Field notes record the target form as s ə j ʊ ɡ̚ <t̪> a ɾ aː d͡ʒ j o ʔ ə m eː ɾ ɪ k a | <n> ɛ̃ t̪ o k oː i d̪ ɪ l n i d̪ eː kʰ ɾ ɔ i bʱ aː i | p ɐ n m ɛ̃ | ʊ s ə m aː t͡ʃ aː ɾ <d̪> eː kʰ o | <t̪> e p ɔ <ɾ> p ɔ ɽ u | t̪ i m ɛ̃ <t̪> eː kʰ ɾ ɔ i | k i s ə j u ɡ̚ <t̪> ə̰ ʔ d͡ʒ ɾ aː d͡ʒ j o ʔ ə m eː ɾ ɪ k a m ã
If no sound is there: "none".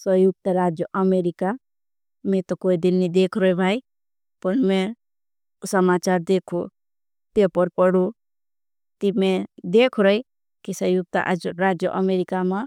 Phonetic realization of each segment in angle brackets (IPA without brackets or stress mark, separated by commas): t̪, m, d̪, t̪, ɾ, d̪, t̪